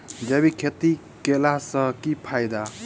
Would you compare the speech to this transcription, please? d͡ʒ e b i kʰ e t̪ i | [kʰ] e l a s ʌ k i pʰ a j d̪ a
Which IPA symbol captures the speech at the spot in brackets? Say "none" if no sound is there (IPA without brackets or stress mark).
k